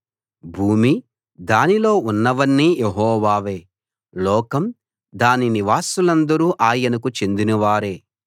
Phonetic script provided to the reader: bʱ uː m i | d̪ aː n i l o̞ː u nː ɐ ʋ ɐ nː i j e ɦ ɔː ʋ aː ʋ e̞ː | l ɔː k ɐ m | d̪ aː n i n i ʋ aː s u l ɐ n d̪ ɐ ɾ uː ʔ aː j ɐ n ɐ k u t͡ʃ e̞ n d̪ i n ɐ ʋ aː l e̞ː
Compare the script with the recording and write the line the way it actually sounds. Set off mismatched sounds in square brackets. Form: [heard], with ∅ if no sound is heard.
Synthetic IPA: bʱ uː m i | d̪ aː n i l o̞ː u nː ɐ ʋ ɐ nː i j e ɦ ɔː ʋ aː ʋ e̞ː | l ɔː k ɐ m | d̪ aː n i n i ʋ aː s u l ɐ n d̪ ɐ ɾ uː ʔ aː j ɐ n ɐ k u t͡ʃ e̞ n d̪ i n ɐ ʋ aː [ɾ] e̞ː